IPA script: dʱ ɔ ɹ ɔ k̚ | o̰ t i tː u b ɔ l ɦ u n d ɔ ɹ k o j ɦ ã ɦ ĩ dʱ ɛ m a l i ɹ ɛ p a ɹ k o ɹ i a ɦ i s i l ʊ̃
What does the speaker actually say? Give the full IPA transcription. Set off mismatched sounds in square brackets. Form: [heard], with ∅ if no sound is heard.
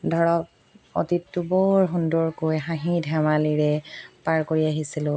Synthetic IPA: dʱ ɔ ɹ ɔ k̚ | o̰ t i tː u b ɔ [ɹ] ɦ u n d ɔ ɹ k o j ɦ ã ɦ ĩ dʱ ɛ m a l i ɹ ɛ p a ɹ k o ɹ i a ɦ i s i l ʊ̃